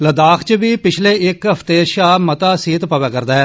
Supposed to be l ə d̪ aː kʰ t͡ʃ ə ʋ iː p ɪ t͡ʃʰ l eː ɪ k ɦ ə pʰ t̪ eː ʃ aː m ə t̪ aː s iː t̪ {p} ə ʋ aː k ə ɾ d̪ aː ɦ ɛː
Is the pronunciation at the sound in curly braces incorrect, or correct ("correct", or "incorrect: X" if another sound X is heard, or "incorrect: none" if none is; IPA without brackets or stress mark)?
correct